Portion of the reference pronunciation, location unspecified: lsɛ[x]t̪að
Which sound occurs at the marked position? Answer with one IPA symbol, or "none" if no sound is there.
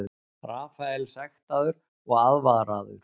x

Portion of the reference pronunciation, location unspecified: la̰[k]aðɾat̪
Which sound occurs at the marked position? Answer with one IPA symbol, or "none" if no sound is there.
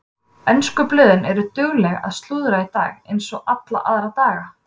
ʔ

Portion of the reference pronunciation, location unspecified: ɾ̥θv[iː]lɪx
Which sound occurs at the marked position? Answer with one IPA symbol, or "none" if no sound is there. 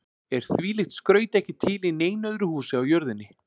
iː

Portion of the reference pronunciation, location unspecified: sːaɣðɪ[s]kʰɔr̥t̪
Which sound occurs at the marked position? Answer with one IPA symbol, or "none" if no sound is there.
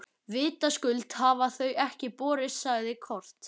none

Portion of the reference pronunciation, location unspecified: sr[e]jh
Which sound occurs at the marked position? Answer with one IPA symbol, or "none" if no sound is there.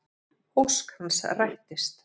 a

